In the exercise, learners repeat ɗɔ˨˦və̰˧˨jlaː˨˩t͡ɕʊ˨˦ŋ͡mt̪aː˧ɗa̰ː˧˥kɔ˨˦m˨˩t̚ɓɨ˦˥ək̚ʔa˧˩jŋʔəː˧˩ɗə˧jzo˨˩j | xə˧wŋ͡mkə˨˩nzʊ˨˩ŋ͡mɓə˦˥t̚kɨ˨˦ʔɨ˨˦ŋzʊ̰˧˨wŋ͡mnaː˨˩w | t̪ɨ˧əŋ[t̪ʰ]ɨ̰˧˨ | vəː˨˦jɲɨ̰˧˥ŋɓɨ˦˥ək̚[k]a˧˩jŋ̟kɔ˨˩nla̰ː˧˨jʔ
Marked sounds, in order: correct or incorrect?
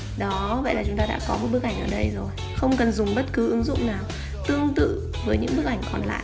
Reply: incorrect: t̪, incorrect: ʔ

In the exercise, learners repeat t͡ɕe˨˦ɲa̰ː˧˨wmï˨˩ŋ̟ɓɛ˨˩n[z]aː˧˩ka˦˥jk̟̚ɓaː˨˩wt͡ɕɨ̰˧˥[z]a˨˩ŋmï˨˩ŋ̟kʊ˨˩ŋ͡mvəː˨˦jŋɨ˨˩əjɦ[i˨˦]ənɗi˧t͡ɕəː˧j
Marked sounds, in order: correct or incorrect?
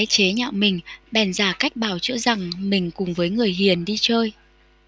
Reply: correct, correct, incorrect: i˨˩

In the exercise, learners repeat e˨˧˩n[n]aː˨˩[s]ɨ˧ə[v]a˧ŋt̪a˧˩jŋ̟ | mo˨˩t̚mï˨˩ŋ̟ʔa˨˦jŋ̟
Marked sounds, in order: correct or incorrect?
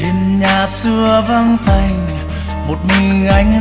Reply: incorrect: ɲ, correct, correct

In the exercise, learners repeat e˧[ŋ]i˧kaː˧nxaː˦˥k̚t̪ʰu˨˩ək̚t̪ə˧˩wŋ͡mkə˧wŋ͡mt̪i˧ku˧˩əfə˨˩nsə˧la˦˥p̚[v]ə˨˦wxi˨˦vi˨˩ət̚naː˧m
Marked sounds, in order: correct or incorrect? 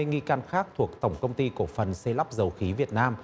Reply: correct, incorrect: z

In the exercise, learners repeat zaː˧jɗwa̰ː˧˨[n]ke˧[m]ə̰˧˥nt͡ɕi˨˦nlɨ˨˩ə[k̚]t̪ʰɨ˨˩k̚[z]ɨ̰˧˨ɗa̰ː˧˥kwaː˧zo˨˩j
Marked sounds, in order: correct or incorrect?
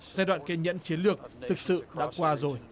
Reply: correct, incorrect: ɲ, correct, incorrect: s

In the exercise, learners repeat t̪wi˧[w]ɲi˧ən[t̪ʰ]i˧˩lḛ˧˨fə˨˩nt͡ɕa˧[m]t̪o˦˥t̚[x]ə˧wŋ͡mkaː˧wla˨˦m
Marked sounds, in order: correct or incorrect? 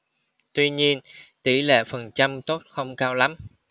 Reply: incorrect: none, incorrect: t̪, correct, correct

